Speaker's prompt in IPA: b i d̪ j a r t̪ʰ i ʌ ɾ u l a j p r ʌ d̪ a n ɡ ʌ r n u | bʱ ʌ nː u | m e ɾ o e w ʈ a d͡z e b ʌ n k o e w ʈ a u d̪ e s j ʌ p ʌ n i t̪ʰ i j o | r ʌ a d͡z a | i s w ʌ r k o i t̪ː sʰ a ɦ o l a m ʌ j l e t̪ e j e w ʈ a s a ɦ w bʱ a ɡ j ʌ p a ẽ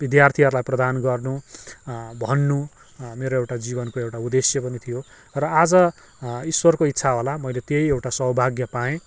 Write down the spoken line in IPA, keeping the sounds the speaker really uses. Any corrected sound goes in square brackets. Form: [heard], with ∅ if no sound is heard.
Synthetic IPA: b i d̪ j a r t̪ʰ i ʌ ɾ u l a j p r ʌ d̪ a n ɡ ʌ r n u | bʱ ʌ nː u | m e ɾ o e w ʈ a d͡z [i] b ʌ n k o e w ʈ a u d̪ e s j ʌ p ʌ n i t̪ʰ i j o | r ʌ a d͡z [ʌ] | i s w ʌ r k o i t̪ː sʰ a ɦ o l a m ʌ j l e t̪ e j e w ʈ a s [ʌ] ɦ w bʱ a ɡ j ʌ p a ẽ